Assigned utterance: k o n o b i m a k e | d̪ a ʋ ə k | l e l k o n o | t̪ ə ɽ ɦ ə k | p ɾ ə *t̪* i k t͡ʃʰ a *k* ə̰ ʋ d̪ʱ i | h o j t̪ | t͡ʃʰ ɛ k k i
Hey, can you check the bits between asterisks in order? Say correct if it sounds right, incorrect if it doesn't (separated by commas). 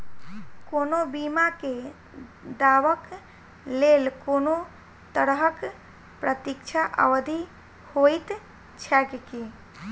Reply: correct, incorrect